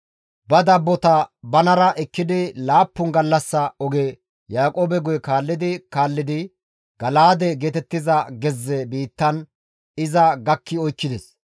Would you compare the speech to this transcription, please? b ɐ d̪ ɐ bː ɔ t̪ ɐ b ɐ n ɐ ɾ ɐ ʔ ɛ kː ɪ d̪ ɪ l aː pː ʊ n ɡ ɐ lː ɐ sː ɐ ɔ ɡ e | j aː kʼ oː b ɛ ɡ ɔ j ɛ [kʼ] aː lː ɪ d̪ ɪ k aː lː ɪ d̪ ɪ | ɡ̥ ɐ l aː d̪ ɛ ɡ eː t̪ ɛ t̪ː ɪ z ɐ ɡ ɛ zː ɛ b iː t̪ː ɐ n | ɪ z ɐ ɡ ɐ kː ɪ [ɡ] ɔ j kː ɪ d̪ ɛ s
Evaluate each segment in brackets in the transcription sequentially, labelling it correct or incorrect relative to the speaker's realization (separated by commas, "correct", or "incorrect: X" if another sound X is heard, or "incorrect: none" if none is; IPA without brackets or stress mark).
incorrect: k, incorrect: none